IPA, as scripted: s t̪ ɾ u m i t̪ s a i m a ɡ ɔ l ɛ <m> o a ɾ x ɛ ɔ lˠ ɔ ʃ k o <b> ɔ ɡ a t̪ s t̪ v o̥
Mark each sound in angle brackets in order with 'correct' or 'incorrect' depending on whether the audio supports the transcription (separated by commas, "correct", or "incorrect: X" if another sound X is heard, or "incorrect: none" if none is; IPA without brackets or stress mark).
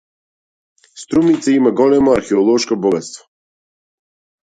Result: correct, correct